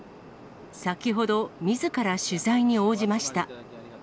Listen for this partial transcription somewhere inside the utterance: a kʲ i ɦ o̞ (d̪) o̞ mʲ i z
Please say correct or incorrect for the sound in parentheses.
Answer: correct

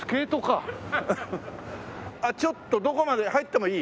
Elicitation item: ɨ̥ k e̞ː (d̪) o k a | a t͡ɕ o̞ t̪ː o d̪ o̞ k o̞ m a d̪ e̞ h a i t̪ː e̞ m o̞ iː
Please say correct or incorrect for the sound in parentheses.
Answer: incorrect: t̪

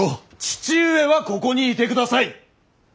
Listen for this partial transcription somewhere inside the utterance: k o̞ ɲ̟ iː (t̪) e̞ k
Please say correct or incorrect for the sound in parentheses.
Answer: correct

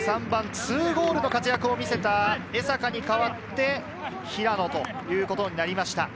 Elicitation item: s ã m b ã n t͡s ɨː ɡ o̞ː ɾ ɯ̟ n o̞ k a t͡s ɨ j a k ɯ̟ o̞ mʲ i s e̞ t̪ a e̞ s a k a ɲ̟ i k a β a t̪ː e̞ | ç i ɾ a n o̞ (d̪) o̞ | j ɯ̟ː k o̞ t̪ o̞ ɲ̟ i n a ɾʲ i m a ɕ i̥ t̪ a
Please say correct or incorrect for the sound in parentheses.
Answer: incorrect: t̪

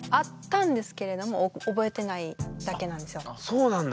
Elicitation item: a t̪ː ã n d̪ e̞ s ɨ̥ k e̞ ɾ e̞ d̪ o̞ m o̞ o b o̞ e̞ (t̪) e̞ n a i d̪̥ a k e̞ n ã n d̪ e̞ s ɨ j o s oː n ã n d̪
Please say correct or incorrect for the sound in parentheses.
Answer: correct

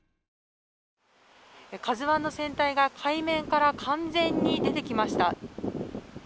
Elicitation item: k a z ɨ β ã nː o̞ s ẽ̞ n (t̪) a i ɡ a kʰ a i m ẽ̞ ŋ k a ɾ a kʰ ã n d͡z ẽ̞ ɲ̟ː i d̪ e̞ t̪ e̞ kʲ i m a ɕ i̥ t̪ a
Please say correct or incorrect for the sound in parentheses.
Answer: correct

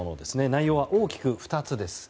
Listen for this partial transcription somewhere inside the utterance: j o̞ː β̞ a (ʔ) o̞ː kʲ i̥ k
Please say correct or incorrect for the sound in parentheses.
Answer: correct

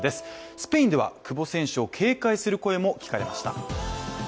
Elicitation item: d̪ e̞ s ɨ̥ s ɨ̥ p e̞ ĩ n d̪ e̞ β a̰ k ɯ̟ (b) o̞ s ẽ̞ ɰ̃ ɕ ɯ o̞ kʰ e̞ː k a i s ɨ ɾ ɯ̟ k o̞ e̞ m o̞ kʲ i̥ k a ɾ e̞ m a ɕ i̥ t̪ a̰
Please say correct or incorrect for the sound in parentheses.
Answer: correct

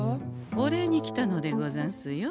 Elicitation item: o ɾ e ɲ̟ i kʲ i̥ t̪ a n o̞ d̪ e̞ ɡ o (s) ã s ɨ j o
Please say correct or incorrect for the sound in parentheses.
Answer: incorrect: z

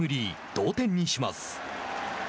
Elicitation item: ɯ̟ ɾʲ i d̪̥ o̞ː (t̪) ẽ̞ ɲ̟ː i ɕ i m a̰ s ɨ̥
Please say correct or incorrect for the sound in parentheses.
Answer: correct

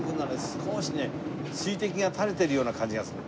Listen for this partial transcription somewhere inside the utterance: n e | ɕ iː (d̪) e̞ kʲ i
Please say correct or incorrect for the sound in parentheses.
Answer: incorrect: t̪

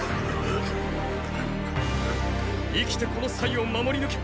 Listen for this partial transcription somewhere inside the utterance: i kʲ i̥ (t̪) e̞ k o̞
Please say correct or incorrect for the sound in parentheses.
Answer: correct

